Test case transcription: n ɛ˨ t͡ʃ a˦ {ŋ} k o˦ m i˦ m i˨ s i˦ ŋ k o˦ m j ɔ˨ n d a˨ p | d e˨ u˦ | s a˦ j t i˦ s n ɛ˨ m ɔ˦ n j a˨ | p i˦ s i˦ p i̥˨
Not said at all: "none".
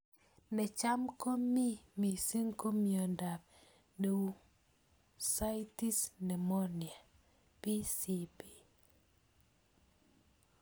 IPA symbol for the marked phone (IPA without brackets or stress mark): m